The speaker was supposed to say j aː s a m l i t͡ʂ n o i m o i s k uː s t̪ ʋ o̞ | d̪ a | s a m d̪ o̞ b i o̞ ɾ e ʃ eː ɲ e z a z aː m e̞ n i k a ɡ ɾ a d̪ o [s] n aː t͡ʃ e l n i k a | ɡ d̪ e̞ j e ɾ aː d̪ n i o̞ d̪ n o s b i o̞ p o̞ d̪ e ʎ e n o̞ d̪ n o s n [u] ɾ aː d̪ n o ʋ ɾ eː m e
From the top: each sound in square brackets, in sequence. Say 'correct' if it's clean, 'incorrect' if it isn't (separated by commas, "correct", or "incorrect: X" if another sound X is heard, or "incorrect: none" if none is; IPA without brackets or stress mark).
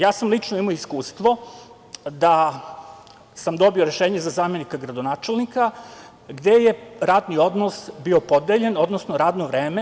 incorrect: none, incorrect: o